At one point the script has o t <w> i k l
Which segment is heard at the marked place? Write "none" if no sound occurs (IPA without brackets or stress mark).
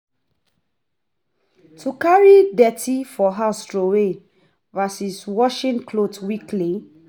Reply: w